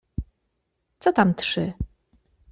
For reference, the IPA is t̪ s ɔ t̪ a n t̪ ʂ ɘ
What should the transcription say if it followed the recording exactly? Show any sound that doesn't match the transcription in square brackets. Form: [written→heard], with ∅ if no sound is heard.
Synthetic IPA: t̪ s ɔ t̪ a [n→m] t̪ ʂ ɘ